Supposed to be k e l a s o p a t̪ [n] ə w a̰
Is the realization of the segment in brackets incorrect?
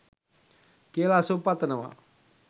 no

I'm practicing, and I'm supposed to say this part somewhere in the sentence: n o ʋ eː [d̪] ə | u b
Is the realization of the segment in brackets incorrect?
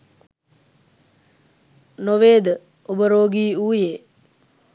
no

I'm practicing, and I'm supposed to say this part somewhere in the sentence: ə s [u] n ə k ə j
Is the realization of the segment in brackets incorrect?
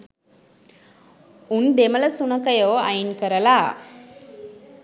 no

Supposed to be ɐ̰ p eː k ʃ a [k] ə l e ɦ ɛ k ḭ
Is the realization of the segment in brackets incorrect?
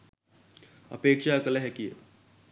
no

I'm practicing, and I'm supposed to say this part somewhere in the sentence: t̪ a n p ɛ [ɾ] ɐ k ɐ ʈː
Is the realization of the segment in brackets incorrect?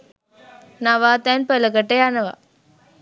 yes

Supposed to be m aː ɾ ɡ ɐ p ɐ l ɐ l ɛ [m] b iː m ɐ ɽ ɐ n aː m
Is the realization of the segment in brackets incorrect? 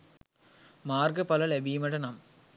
yes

